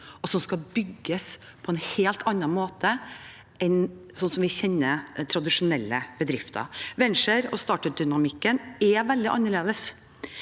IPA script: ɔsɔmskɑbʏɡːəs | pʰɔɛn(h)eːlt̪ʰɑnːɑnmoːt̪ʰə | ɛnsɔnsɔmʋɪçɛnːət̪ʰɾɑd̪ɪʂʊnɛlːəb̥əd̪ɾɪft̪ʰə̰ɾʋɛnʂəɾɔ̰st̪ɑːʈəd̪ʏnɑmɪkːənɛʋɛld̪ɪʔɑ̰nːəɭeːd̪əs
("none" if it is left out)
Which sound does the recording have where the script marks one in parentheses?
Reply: h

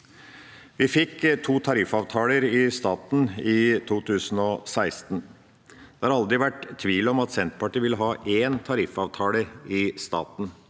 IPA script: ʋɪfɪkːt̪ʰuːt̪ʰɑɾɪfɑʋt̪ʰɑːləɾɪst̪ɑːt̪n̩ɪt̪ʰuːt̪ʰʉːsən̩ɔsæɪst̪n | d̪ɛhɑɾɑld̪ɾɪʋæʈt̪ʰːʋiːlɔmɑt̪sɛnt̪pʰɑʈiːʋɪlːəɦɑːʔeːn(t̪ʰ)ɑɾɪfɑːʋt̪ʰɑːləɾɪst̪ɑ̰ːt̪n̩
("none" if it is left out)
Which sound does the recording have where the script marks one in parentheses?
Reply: t̪ʰ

